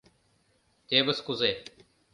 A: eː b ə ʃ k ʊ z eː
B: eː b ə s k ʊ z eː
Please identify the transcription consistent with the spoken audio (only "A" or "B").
B